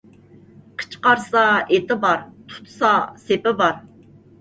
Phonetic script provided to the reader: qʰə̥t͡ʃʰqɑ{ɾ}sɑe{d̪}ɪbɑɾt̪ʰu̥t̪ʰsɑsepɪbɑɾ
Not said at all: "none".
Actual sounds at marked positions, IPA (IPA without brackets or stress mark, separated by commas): ɾ, t̪